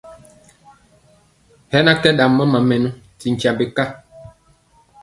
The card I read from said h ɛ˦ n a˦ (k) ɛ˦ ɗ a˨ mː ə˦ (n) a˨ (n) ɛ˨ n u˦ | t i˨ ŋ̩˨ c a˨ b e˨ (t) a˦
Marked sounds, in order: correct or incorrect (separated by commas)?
correct, incorrect, incorrect, incorrect